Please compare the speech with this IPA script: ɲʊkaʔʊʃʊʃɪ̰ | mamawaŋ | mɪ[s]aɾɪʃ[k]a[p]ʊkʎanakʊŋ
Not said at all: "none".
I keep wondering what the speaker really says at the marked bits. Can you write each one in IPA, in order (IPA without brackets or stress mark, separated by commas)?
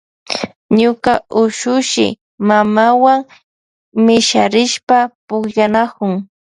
ʃ, p, p